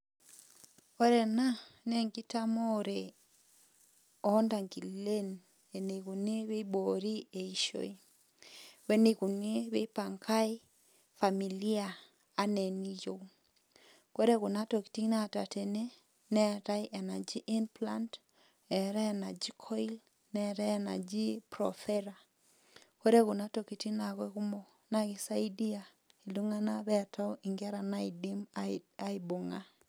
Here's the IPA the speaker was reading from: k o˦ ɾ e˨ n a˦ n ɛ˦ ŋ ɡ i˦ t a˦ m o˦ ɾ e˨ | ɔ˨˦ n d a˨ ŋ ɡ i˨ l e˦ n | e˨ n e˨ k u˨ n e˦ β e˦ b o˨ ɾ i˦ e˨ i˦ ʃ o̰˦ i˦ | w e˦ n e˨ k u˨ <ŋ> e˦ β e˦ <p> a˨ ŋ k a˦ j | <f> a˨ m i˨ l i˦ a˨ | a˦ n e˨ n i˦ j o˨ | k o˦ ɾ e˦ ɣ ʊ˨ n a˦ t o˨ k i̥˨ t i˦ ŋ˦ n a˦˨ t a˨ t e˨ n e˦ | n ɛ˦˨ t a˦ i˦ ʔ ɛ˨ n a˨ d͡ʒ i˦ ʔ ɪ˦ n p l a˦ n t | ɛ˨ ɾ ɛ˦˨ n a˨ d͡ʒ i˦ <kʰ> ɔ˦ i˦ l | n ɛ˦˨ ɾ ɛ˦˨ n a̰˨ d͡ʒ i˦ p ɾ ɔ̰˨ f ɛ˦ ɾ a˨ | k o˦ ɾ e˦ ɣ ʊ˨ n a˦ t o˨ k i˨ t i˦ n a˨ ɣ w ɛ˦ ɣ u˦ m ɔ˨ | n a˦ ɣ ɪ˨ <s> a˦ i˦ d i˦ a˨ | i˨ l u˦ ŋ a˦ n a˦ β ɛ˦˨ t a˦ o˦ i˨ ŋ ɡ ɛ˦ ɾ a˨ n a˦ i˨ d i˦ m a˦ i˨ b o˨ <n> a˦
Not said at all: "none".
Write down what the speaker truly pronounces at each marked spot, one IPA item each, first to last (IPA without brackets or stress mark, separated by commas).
n, p, f, kʰ, s, ŋ